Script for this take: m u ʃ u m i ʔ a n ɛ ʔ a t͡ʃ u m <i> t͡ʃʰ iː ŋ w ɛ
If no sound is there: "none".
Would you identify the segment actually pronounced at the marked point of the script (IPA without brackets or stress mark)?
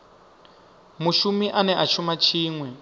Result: a